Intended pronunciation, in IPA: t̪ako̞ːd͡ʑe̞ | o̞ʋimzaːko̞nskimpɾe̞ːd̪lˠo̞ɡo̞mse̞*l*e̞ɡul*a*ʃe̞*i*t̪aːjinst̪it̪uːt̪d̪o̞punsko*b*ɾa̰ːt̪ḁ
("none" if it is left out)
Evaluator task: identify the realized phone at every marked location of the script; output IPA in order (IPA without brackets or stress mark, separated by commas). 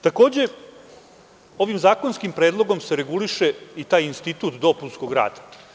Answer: ɾ, i, i, ɡ